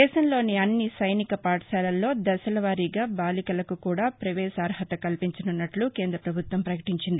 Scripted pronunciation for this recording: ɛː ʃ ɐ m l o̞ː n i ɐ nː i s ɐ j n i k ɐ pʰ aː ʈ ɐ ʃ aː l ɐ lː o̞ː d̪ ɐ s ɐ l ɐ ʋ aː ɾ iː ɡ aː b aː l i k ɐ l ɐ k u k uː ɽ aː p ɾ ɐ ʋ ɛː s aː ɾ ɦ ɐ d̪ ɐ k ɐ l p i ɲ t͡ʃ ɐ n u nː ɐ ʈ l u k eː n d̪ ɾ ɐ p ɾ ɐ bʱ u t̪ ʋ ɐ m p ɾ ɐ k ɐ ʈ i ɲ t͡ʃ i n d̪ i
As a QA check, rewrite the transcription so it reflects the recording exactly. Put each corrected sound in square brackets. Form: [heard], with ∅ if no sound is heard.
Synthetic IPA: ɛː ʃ ɐ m l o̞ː n i ɐ nː i s ɐ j n i k ɐ [p] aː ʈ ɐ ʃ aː l ɐ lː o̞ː d̪ ɐ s ɐ l ɐ ʋ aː ɾ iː ɡ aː b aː l i k ɐ l ɐ k u k uː ɽ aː p ɾ ɐ ʋ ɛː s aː ɾ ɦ ɐ [t̪] ɐ k ɐ l p i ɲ t͡ʃ ɐ n u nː ɐ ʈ l u k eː n d̪ ɾ ɐ p ɾ ɐ bʱ u t̪ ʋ ɐ m p ɾ ɐ k ɐ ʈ i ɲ t͡ʃ i n d̪ i